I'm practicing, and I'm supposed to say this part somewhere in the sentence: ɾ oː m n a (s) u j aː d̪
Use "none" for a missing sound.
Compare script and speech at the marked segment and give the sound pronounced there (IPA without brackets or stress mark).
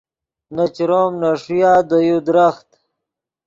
ʂ